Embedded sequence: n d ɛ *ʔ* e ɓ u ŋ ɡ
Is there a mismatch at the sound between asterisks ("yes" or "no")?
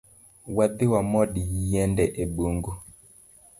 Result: no